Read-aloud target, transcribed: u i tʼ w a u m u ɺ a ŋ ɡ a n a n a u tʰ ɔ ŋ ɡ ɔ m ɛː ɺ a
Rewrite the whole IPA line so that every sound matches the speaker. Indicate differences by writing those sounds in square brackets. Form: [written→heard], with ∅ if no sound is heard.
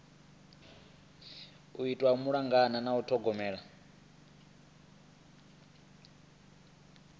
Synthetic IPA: u i tʼ w a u m u ɺ a ŋ ɡ a n a n a u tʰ ɔ [ŋ→∅] ɡ ɔ m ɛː ɺ a